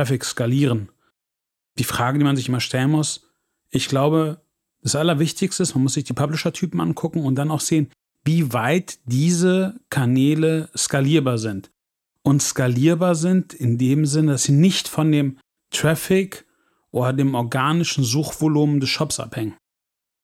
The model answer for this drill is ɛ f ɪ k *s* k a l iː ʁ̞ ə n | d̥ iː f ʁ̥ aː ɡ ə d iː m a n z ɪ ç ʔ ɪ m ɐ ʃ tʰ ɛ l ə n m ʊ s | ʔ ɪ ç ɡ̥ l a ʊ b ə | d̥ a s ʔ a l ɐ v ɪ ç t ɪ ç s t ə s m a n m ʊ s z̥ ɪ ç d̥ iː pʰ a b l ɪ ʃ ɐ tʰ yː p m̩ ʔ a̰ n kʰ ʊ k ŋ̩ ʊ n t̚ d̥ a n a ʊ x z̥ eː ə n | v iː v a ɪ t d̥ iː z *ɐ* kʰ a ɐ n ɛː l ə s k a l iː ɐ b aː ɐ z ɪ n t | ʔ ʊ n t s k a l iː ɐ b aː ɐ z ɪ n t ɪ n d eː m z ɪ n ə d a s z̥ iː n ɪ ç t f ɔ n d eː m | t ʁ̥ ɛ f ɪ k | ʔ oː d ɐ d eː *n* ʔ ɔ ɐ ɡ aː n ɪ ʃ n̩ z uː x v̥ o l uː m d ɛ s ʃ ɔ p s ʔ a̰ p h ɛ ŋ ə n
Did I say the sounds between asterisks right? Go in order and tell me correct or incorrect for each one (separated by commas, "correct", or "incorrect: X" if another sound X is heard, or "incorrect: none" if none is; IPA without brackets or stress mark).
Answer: correct, incorrect: ə, incorrect: m